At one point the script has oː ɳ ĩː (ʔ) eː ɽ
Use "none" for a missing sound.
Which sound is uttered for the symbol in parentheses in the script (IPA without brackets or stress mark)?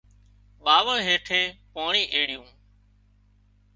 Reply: ʔ